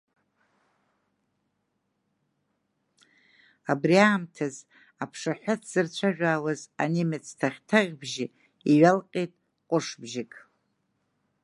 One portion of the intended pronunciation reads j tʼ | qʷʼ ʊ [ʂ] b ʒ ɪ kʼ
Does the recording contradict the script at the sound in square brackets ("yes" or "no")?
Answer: no